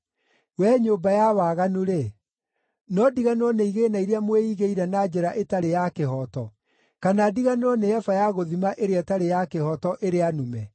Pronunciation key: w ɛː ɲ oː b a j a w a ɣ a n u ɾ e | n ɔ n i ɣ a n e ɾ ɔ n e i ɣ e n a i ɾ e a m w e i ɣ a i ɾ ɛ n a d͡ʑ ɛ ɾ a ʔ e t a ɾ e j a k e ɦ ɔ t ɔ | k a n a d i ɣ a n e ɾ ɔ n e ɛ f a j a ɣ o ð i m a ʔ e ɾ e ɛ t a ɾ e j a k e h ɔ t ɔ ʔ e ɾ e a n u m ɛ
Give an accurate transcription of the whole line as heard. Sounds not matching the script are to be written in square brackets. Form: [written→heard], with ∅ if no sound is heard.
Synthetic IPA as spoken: w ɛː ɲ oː b a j a w a ɣ a n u ɾ e | n ɔ [n→d] i ɣ a n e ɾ ɔ n e i ɣ e n a i ɾ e a m w e i ɣ [a→e] i ɾ ɛ n a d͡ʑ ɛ ɾ a ʔ e t a ɾ e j a k e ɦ ɔ t ɔ | k a n a d i ɣ a n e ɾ ɔ n e ɛ f a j a ɣ o ð i m a ʔ e ɾ e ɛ t a ɾ e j a k e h ɔ t ɔ ʔ e ɾ e a n u m ɛ